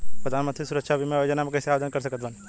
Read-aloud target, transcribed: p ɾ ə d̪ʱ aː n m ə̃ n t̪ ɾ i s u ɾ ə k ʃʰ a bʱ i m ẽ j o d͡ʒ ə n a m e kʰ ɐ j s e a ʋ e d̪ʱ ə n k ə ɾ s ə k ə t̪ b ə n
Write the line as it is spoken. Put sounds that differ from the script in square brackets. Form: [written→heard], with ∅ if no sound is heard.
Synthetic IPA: p ɾ ə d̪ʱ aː n m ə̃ n t̪ ɾ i s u ɾ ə k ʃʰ a bʱ i m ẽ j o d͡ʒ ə n a m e [kʰ→k] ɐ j s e a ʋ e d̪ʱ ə n k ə ɾ s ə k ə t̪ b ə n